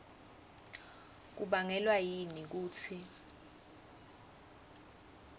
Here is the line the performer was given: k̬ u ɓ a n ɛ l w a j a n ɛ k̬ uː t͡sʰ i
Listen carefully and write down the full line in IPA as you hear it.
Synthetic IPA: k̬ u ɓ a ŋ ɛ l w a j i n i k̬ uː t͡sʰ i